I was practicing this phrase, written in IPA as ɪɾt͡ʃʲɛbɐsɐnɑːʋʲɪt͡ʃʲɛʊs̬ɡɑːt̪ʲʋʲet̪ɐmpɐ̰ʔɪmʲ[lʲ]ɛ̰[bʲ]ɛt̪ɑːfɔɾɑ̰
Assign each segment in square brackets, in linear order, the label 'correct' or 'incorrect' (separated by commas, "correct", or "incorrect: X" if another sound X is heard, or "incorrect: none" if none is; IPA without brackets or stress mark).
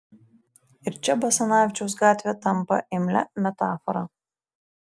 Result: correct, incorrect: mʲ